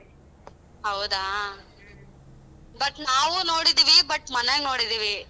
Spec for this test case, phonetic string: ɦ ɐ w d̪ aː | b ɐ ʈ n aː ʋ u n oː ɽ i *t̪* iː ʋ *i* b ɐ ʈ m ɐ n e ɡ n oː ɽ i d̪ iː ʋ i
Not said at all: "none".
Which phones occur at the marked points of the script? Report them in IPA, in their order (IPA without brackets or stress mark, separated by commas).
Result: d̪, i